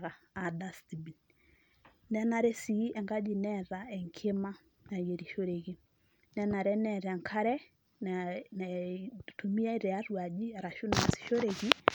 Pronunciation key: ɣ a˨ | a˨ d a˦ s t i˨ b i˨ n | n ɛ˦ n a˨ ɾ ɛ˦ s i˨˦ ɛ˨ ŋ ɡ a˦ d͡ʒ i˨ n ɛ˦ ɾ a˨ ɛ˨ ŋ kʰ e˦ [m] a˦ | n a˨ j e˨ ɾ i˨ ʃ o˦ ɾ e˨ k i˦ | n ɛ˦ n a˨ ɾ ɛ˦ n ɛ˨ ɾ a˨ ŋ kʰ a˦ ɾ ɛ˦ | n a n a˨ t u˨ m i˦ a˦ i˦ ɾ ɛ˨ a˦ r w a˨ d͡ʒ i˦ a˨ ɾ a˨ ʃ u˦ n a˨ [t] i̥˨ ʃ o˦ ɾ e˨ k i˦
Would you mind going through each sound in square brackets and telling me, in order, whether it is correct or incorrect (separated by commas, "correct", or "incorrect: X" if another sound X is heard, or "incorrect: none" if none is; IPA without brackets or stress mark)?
correct, incorrect: s